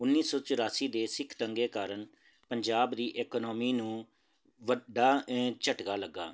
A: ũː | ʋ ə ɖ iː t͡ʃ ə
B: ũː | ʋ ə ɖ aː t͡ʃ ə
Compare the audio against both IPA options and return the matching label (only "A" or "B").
B